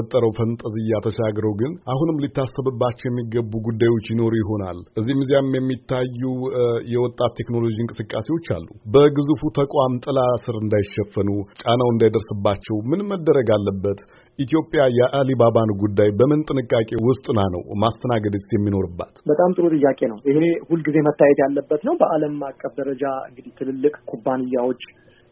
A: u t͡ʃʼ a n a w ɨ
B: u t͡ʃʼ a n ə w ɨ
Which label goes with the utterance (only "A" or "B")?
A